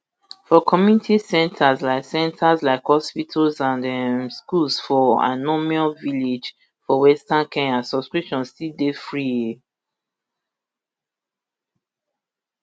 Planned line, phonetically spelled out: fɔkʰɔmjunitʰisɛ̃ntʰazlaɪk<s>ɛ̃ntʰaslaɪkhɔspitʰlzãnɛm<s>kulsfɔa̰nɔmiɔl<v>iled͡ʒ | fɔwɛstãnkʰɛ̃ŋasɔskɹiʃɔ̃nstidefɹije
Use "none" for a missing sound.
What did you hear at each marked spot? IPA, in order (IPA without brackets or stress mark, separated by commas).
s, s, v